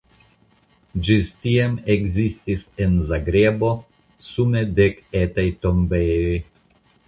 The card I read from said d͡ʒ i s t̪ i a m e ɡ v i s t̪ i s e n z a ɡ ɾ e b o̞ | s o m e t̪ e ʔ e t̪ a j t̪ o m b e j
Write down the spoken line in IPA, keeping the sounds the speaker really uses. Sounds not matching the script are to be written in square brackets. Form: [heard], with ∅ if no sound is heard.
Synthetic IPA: d͡ʒ i s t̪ i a m e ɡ [z] i s t̪ i s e n z a ɡ ɾ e b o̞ | s [u] m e [d̪] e [k] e t̪ a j t̪ o m b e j